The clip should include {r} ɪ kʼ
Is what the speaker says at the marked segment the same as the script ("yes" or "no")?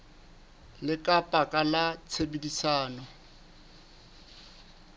no